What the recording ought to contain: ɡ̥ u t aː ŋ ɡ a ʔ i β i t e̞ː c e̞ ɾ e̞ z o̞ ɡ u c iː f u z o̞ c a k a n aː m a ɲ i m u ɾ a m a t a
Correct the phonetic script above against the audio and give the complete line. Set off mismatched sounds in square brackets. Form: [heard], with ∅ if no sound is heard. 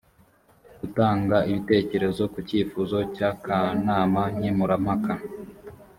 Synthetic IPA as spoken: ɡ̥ u t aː ŋ ɡ a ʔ i β i t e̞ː c e̞ ɾ e̞ z o̞ [k] u c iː f u z o̞ c a k a n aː m a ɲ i m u ɾ a m a [k] a

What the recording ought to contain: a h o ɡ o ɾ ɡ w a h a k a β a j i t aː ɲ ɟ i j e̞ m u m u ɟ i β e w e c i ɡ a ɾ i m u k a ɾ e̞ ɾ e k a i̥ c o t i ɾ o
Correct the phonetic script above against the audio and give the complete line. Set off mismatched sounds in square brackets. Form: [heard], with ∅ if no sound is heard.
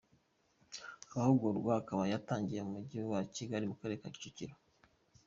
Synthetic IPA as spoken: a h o ɡ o ɾ ɡ w a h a k a β a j [a] t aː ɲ ɟ i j e̞ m u m u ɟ i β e w [a] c i ɡ a ɾ i m u k a ɾ e̞ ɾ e k a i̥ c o [c] i ɾ o

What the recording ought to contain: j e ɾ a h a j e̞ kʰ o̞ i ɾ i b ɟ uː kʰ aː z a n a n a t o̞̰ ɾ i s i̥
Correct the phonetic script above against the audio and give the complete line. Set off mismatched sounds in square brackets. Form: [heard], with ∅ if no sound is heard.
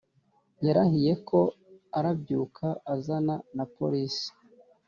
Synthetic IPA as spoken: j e ɾ a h [i] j e̞ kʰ o̞ [a] ɾ [a] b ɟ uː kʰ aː z a n a n a [p] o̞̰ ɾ i s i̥

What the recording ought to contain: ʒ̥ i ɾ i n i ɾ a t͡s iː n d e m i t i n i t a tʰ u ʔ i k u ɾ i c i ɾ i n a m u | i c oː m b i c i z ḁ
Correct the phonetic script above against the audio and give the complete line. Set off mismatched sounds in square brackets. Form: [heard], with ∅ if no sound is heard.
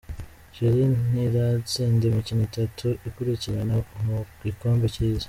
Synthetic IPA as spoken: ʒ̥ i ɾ i n i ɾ a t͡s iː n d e m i [c] i n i t a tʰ u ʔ i k u ɾ i c i ɾ [a] n a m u | i [k] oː m b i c i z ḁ

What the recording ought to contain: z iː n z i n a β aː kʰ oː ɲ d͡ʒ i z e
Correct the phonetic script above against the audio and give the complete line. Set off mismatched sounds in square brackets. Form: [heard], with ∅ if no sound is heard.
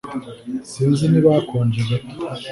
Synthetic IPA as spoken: [s] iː n z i n [i] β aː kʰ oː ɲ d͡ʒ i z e

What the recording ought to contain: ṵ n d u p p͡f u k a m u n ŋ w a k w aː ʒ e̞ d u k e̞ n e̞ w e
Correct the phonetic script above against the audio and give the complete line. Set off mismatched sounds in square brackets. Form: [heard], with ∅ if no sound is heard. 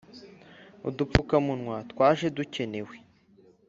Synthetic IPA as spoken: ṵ [∅] d u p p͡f u k a m u n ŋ w a [t] w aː ʒ e̞ d u [c] e̞ n e̞ w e

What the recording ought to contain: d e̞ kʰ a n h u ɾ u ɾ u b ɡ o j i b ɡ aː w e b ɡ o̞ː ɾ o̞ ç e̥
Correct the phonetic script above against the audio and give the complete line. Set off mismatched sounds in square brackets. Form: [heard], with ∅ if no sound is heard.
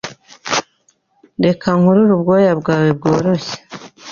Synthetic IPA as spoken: d e̞ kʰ a [ŋ] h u ɾ u ɾ u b ɡ o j [a] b ɡ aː w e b ɡ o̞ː ɾ o̞ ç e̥

